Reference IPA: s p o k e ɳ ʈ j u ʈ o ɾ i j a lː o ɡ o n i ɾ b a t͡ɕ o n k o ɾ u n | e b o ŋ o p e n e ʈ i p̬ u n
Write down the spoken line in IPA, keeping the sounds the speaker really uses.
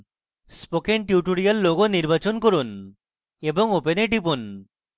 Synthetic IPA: s p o k e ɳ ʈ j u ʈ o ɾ i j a lː o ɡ o n i ɾ b a t͡ɕ o n k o ɾ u n | e b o ŋ o p e n e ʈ i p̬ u n